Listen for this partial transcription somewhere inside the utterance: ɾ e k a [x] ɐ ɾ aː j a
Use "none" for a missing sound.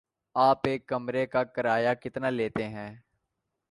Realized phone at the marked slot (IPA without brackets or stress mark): k